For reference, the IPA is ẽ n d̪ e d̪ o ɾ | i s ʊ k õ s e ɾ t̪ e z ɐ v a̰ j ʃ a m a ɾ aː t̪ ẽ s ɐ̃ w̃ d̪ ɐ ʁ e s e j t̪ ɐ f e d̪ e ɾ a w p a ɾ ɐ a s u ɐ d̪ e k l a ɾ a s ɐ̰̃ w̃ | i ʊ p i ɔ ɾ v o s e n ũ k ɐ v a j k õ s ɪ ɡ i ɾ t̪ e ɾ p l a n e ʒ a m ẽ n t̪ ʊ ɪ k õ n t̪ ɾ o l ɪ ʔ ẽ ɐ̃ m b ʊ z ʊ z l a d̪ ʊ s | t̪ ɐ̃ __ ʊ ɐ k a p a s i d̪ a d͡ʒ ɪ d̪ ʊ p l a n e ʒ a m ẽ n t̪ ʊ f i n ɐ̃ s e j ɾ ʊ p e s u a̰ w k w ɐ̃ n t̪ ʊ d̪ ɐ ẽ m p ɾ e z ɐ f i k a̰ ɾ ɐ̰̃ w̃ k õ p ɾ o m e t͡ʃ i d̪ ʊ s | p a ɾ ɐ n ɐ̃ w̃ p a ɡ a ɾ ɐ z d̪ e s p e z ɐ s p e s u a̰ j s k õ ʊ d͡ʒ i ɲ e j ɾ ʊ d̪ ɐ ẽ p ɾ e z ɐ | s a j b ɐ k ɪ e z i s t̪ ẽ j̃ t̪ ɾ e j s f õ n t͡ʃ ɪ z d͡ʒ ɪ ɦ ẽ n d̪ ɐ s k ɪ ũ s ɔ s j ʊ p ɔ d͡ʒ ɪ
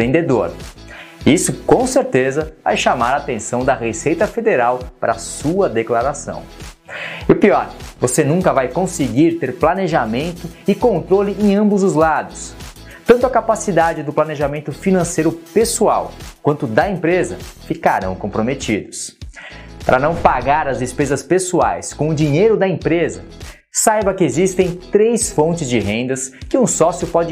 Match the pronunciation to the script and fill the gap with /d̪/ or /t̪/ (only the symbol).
t̪